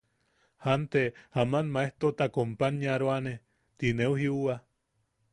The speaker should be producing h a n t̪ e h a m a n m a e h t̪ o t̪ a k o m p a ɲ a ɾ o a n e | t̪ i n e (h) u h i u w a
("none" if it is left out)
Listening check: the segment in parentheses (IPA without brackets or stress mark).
none